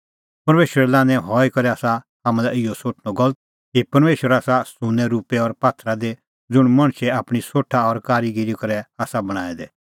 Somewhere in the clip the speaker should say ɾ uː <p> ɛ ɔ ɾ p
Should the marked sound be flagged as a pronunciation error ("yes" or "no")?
no